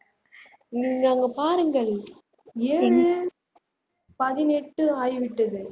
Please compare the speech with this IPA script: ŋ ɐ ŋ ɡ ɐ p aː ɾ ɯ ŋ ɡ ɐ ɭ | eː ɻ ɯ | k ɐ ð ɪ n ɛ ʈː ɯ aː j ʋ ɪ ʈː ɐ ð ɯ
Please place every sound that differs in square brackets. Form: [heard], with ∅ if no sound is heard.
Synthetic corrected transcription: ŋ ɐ ŋ ɡ ɐ p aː ɾ ɯ ŋ ɡ ɐ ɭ | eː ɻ ɯ | [p] ɐ ð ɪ n ɛ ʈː ɯ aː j ʋ ɪ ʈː ɐ ð ɯ